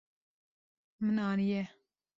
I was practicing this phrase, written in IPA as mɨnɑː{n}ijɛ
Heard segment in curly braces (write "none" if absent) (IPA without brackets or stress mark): n